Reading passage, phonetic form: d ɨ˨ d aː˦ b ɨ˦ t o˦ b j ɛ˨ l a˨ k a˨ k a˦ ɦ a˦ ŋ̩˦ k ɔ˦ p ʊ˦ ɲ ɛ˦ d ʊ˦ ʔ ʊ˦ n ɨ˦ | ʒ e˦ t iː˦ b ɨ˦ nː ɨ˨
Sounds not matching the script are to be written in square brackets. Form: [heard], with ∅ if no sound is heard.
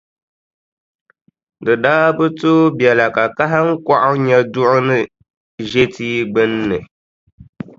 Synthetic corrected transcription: d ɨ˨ d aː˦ b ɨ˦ t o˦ b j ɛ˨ l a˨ k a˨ k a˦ ɦ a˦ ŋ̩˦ k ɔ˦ [ʔ] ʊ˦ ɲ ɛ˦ d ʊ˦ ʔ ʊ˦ n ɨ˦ | ʒ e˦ t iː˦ [ɡ͡b] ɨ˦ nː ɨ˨